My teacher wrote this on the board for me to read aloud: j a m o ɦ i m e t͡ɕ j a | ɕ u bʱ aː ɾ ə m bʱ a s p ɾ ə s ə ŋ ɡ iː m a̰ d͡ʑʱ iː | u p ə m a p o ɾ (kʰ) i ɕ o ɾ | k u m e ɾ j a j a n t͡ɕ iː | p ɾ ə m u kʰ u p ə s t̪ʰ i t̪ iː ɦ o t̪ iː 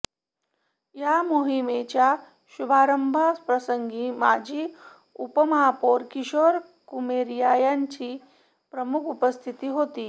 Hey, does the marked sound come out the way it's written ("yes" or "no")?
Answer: no